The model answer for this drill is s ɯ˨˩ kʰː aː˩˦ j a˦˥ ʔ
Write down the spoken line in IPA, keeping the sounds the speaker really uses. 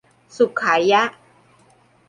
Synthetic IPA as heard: s u˨˩ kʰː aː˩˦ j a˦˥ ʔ